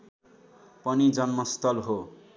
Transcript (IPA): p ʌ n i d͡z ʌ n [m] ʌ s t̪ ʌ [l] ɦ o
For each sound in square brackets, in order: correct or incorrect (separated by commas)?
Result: correct, correct